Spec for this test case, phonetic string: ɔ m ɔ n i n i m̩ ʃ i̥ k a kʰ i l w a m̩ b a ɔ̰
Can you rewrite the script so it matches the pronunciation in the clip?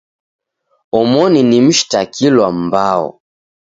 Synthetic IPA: ɔ m ɔ n i n i m̩ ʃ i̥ t a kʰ i l w a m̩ b a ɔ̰